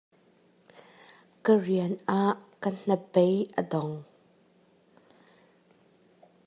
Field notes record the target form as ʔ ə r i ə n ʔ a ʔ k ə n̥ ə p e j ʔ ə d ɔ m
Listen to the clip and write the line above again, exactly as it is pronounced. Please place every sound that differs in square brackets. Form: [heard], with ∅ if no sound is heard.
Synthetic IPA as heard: [k] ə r i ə n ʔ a ʔ k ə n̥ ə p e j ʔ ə d ɔ [ŋ]